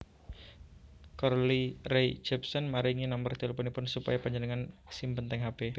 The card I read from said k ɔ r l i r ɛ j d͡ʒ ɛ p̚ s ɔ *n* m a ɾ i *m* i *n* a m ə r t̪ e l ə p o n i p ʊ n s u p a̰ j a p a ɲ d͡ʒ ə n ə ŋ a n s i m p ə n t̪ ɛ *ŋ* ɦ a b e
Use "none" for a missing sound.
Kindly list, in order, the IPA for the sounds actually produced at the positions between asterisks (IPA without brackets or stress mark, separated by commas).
n, ŋ, n, ŋ